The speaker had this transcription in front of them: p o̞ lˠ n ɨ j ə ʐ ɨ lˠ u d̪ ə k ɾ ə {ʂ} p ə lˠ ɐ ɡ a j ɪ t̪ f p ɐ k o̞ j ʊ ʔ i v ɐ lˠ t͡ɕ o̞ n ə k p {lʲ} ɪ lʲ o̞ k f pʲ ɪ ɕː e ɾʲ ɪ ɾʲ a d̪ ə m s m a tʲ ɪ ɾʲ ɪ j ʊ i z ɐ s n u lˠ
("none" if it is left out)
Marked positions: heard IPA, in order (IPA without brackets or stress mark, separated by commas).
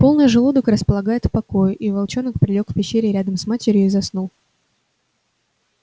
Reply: s, ɾʲ